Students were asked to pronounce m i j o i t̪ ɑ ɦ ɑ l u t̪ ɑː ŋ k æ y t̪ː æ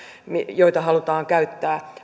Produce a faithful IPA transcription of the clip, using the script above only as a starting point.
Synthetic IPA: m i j o i t̪ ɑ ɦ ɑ l u t̪ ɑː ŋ k æ y t̪ː æː